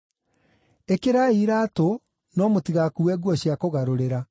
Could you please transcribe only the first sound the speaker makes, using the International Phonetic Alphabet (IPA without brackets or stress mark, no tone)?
e